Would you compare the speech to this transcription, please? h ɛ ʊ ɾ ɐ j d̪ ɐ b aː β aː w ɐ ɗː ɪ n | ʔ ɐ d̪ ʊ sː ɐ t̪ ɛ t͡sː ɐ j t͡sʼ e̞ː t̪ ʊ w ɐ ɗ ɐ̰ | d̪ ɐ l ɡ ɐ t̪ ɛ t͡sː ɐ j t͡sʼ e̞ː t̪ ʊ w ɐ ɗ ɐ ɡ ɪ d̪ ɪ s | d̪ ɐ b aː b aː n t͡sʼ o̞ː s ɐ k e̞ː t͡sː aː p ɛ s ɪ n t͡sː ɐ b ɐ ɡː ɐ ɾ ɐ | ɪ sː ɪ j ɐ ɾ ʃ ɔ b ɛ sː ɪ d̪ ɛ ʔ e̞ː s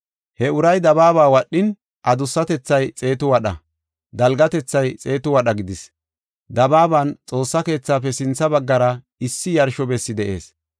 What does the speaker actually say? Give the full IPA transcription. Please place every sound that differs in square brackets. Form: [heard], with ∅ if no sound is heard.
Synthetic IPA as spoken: h ɛ ʊ ɾ ɐ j d̪ ɐ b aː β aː w ɐ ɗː ɪ n | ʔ ɐ d̪ ʊ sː ɐ t̪ ɛ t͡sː ɐ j t͡sʼ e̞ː t̪ ʊ w ɐ ɗ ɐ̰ | d̪ ɐ l ɡ ɐ t̪ ɛ t͡sː ɐ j t͡sʼ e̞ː t̪ ʊ w ɐ ɗ ɐ ɡ ɪ d̪ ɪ s | d̪ ɐ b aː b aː n t͡sʼ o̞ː [sː] ɐ k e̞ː t͡sː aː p ɛ s ɪ n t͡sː ɐ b ɐ ɡː ɐ ɾ ɐ | ɪ sː ɪ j ɐ ɾ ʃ ɔ b ɛ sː ɪ d̪ ɛ ʔ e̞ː s